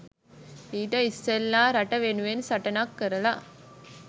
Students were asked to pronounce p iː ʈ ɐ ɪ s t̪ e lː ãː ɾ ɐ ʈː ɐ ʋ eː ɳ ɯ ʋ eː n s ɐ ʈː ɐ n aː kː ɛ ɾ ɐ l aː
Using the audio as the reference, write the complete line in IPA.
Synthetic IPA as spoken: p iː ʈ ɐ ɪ s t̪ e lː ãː ɾ ɐ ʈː ɐ ʋ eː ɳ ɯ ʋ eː n s ɐ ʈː ɐ n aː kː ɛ ɾ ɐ l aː